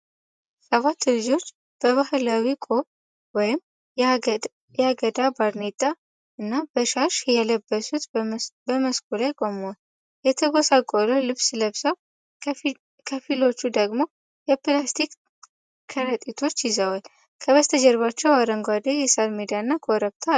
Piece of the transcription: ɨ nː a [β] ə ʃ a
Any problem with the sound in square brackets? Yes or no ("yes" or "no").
yes